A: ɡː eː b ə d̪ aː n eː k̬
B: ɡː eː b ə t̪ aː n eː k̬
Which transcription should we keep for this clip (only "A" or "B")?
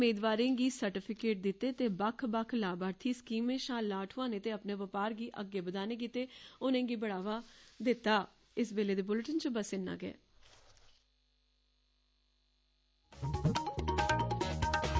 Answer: A